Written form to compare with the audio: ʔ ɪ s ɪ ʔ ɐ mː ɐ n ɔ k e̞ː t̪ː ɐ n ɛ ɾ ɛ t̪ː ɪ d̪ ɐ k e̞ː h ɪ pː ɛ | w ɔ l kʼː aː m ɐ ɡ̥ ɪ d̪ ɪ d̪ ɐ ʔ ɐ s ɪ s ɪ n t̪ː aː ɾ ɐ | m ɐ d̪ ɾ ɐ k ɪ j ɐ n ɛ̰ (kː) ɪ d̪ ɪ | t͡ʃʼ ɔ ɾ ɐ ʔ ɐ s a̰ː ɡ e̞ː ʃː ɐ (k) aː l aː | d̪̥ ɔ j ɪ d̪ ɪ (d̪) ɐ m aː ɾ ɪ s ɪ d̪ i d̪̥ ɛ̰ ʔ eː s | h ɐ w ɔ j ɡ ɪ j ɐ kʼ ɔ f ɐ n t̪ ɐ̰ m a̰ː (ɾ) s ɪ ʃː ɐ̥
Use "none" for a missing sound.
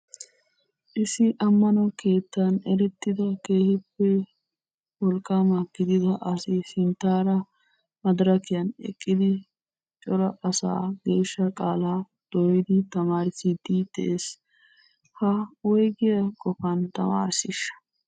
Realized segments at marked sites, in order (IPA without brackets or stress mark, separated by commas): kʼː, kʼ, t̪, ɾ